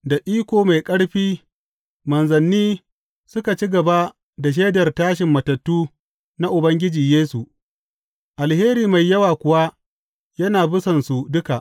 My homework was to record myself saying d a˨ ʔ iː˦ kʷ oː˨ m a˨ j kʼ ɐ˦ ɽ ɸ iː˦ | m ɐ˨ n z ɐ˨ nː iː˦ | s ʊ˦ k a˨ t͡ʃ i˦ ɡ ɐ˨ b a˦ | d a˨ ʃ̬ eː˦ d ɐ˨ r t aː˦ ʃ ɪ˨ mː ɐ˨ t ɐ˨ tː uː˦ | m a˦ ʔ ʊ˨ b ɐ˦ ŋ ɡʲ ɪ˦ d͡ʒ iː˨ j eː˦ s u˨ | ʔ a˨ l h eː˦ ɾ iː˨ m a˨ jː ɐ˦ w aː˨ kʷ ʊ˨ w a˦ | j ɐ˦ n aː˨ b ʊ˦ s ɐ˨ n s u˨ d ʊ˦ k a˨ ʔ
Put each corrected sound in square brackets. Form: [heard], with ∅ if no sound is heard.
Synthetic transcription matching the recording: d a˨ ʔ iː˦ kʷ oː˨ m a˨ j kʼ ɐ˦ ɽ ɸ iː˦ | m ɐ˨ n z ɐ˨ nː iː˦ | s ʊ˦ k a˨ t͡ʃ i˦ ɡ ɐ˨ b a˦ | d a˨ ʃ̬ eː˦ d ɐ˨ r t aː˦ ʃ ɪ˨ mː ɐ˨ t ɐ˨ tː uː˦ | [n] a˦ ʔ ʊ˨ b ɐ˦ ŋ ɡʲ ɪ˦ d͡ʒ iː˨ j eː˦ s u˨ | ʔ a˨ l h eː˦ ɾ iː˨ m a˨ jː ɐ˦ w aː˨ kʷ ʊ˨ w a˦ | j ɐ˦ n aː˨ b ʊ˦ s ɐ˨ n s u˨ d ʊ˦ k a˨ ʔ

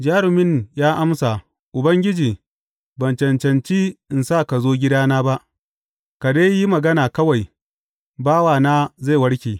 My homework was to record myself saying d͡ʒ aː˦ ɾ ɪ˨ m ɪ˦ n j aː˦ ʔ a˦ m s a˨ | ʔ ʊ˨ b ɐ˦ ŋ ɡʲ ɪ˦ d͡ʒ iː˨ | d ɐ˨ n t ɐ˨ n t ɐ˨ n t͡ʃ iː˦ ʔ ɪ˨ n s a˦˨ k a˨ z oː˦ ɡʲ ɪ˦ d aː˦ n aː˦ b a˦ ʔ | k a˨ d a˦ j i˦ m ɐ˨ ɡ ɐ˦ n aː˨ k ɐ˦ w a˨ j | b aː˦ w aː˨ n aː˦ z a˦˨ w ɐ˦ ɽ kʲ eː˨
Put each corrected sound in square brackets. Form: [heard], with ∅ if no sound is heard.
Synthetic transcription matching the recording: d͡ʒ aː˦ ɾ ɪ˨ m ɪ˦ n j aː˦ ʔ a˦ m s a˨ | ʔ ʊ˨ b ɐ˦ ŋ ɡʲ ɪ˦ d͡ʒ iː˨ | [b] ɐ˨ n [t͡ʃ] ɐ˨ n [t͡ʃ] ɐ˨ n t͡ʃ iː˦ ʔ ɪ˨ n s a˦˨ k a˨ z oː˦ ɡʲ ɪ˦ d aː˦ n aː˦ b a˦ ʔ | k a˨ d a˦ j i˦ m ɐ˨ ɡ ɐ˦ n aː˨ k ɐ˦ w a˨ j | b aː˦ w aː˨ n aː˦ z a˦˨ w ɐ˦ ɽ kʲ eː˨

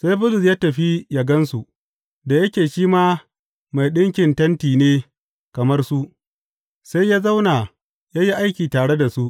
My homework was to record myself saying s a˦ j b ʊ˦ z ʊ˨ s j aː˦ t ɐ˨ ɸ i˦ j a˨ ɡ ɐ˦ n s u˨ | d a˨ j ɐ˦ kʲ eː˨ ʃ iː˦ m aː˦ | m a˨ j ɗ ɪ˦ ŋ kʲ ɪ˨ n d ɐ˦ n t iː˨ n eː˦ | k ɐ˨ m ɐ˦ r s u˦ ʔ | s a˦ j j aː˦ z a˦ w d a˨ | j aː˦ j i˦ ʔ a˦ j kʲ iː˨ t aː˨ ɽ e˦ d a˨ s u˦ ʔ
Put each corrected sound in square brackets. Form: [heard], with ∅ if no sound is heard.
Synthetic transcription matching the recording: s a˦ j b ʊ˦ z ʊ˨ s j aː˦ t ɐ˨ ɸ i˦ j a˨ ɡ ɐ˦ n s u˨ | d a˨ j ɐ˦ kʲ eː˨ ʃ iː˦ m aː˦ | m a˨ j ɗ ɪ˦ ŋ kʲ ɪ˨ n [t] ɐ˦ n t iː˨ n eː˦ | k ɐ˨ m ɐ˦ r s u˦ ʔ | s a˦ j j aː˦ z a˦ w [n] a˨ | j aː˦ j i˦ ʔ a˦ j kʲ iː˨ t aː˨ ɽ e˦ d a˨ s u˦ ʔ

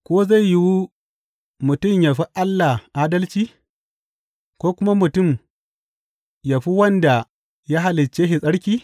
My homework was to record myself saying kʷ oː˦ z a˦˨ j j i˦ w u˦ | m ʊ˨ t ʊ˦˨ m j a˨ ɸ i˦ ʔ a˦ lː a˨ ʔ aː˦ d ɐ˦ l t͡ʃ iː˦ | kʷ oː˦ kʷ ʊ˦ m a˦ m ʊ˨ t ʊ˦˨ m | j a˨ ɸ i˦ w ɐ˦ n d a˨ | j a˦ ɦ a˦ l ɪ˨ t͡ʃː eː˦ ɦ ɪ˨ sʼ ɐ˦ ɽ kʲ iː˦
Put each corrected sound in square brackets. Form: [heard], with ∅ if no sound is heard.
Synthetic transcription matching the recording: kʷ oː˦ z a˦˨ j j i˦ w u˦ | m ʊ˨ t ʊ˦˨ m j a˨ ɸ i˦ ʔ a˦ lː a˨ ʔ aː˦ d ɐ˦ l t͡ʃ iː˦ | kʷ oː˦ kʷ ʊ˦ m a˦ m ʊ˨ t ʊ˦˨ m | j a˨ ɸ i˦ w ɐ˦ n d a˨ | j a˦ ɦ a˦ l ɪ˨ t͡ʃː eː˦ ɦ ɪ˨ sʼ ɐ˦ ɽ kʲ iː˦

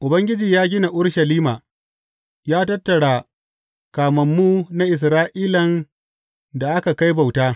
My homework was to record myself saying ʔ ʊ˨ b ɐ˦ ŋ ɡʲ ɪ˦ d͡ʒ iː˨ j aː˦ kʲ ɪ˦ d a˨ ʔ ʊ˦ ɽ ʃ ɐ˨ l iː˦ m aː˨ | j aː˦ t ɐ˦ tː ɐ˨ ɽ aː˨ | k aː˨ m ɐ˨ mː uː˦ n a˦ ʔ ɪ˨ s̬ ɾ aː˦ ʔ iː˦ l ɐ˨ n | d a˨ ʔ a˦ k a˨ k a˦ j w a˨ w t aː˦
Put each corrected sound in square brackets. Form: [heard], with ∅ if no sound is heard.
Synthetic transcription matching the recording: ʔ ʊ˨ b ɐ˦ ŋ ɡʲ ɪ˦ d͡ʒ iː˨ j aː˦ [ɡʲ] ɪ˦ [n] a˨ ʔ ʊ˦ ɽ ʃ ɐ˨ l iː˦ m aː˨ | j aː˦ t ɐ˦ tː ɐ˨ ɽ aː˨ | k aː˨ m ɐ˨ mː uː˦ n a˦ ʔ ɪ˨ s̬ ɾ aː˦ ʔ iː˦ l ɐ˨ n | d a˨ ʔ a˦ k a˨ k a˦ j [b] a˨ w t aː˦

